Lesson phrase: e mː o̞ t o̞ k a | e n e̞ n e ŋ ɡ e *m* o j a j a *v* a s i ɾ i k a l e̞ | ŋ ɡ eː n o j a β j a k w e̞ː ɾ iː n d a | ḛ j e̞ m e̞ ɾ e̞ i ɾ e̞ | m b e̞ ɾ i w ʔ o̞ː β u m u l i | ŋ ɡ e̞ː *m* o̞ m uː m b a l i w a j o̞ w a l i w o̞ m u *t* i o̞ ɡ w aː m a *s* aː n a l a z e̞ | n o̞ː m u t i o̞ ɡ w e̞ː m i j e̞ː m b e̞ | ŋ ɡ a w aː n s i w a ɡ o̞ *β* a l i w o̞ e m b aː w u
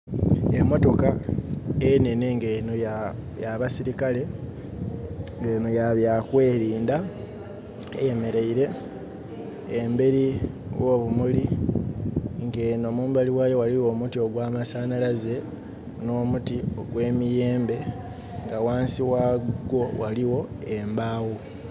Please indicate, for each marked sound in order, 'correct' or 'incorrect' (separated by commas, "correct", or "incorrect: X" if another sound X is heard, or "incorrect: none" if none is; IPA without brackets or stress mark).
incorrect: n, incorrect: β, incorrect: n, correct, correct, incorrect: w